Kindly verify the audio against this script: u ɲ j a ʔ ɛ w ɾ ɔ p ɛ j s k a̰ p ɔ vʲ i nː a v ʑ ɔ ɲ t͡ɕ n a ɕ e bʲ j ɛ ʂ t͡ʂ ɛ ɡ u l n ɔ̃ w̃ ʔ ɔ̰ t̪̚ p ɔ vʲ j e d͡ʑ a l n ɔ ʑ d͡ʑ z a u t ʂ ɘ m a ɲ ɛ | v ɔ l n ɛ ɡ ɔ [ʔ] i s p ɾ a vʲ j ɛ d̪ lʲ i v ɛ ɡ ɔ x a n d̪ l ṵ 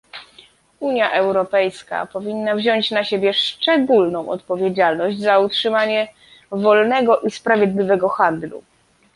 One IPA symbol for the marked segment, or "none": ʔ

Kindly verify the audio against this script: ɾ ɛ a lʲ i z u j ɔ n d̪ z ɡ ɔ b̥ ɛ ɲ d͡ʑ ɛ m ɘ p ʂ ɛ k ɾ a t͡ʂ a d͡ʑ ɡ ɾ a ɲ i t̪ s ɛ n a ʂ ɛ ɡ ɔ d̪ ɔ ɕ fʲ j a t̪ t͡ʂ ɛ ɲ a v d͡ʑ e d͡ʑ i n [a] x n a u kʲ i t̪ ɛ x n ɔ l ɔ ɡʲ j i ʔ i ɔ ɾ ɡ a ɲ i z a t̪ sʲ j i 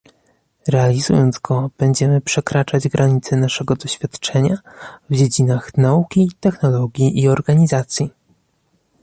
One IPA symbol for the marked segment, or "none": a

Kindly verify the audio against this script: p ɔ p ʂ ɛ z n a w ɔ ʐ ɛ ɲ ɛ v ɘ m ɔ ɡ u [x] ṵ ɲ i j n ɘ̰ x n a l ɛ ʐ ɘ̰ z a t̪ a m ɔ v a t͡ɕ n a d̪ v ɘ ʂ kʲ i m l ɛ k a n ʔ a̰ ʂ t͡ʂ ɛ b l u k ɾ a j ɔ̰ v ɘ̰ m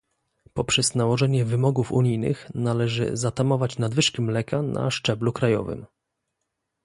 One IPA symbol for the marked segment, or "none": f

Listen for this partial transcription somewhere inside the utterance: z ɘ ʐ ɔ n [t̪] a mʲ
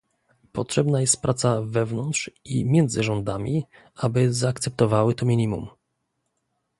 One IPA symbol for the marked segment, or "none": d̪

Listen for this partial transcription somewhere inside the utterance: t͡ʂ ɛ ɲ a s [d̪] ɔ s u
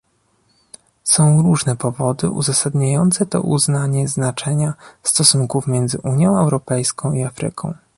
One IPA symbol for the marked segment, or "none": t̪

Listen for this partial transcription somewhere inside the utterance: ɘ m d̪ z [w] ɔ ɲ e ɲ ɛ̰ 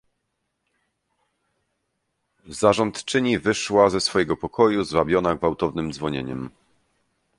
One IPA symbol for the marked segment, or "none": v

